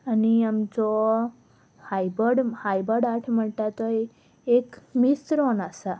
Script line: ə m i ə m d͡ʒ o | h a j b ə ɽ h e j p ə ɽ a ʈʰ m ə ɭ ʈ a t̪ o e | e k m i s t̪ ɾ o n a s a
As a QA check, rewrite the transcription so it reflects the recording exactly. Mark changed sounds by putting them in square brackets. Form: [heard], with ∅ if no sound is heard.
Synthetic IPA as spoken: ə [n] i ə m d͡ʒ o | h a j b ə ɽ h [a] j [b] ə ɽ a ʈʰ m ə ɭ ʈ a t̪ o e | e k m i s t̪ ɾ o n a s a